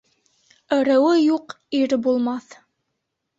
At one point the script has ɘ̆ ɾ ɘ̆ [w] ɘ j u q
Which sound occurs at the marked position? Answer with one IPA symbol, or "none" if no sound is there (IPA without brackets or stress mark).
w